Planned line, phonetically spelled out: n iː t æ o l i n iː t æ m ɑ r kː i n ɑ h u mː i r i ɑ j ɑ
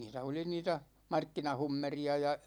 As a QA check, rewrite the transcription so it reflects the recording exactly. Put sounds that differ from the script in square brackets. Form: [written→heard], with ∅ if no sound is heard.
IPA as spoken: n iː t æ o l i n iː t æ m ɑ r kː i n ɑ h u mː [i→e] r i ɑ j ɑ